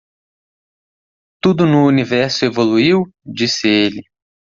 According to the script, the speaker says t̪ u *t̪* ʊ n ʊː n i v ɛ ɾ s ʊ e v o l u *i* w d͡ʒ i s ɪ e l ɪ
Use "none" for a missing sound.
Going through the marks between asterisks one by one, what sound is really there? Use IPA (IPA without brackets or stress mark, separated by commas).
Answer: d̪, i